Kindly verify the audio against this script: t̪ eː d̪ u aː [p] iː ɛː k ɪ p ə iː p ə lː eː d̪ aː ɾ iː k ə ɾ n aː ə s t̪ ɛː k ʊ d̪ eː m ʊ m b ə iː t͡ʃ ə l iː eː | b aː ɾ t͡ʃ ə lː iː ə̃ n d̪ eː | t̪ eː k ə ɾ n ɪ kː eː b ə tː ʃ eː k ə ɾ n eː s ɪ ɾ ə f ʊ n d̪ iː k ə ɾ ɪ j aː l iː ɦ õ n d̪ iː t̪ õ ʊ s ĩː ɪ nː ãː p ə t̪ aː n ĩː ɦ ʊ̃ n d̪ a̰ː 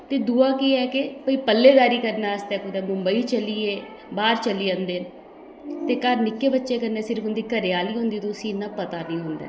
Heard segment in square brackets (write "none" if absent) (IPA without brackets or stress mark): k